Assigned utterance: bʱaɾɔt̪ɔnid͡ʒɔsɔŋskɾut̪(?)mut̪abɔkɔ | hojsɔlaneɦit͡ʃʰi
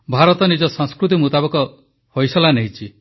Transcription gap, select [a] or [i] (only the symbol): i